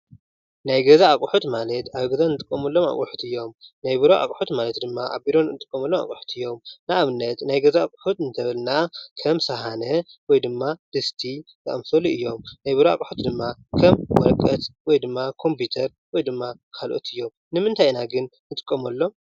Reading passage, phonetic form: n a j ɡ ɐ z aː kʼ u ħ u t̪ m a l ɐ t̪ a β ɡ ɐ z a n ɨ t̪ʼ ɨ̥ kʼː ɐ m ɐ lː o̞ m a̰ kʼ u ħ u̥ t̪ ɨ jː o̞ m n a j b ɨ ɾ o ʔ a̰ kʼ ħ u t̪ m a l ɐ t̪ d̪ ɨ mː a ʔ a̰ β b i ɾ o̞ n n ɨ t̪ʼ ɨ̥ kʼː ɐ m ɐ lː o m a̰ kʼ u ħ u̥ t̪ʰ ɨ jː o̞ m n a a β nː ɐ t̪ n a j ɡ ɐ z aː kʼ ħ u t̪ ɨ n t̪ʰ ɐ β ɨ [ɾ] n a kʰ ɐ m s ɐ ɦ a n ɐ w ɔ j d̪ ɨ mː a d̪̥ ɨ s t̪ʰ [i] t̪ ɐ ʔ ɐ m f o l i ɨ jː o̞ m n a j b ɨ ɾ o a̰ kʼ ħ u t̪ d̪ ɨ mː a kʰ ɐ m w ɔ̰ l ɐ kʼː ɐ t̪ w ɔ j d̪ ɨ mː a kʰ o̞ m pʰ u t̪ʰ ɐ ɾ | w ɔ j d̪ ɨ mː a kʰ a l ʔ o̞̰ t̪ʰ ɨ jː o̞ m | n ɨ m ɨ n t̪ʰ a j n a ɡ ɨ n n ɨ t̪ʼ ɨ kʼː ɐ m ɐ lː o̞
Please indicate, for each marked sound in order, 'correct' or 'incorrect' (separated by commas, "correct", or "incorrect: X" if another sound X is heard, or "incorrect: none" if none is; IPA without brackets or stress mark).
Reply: incorrect: l, correct